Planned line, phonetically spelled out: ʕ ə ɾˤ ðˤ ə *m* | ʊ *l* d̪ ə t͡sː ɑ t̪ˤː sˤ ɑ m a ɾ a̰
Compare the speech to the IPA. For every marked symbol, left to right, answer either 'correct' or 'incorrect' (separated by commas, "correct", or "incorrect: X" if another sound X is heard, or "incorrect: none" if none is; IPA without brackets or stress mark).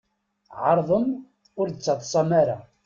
correct, incorrect: ɾ